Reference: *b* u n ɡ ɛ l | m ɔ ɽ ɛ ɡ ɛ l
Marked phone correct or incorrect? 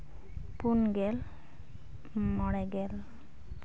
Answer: incorrect